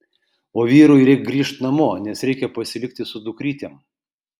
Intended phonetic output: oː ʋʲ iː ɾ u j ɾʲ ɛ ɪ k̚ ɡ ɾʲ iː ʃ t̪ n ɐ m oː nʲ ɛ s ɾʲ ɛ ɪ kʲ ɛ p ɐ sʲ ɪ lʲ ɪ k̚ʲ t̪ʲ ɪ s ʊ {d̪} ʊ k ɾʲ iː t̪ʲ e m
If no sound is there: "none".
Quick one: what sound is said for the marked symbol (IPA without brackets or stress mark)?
d̪